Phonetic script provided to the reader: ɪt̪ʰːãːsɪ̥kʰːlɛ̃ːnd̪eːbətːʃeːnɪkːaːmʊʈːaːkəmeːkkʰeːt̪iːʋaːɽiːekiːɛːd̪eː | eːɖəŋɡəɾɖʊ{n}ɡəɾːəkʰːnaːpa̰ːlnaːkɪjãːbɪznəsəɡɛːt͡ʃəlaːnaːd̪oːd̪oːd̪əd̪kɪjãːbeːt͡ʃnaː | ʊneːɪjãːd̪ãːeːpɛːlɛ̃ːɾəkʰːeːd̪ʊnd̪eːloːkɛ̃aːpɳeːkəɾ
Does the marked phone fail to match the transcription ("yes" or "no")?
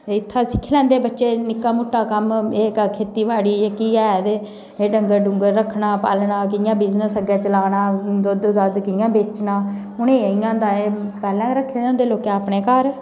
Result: yes